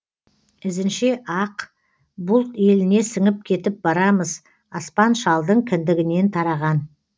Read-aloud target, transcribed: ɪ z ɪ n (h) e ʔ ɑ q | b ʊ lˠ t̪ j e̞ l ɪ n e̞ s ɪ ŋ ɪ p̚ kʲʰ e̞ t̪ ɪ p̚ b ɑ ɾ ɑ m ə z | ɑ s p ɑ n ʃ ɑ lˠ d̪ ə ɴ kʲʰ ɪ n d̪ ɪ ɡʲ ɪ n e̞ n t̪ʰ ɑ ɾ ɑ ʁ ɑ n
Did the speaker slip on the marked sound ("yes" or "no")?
yes